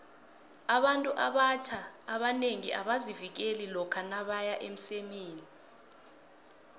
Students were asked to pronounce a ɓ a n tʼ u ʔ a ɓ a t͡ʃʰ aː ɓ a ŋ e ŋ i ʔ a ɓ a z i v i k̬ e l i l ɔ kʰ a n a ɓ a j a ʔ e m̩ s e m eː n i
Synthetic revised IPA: a ɓ a n tʼ u ʔ a ɓ a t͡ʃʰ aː ɓ a n e ŋ i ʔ a ɓ a z i v i k̬ e l i l ɔ kʰ a n a ɓ a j a ʔ e m̩ s e m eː n i